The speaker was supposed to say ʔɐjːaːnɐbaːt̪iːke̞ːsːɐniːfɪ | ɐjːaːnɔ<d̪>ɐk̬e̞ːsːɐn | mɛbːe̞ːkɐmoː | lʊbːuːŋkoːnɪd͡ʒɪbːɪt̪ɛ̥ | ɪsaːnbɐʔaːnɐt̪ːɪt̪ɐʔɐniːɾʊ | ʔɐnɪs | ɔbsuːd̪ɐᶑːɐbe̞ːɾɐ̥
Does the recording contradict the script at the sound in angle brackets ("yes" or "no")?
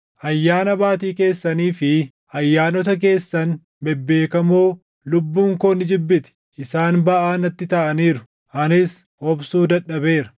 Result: yes